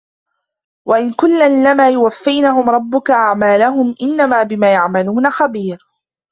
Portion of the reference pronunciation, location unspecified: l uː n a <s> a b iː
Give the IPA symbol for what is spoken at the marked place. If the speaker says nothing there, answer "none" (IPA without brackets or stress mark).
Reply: x